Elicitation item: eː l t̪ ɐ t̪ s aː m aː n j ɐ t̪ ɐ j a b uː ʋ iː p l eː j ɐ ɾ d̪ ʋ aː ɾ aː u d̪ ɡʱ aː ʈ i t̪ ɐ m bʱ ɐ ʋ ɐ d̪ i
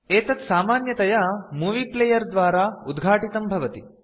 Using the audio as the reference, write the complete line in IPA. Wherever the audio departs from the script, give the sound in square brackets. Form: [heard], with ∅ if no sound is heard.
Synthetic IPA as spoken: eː [∅] t̪ ɐ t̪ s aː m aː n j ɐ t̪ ɐ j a [m] uː ʋ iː p l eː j ɐ ɾ d̪ ʋ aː ɾ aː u d̪ ɡʱ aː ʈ i t̪ ɐ m bʱ ɐ ʋ ɐ [t̪] i